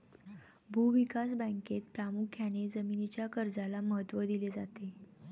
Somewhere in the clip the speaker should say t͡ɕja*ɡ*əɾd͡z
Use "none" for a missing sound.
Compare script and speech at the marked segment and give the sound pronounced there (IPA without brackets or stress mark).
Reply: k